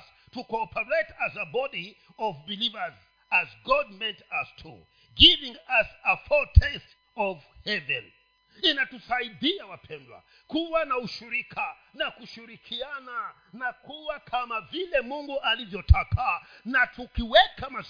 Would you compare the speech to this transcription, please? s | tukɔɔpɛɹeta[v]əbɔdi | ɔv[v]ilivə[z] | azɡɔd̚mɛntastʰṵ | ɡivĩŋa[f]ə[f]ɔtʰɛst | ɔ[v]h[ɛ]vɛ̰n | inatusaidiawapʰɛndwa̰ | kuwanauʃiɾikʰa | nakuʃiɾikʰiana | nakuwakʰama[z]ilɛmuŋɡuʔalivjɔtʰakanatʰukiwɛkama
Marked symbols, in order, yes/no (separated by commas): no, no, yes, no, yes, yes, yes, no